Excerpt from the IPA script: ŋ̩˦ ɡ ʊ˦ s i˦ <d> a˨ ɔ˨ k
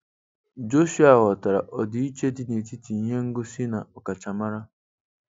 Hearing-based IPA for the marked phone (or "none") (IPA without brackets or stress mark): n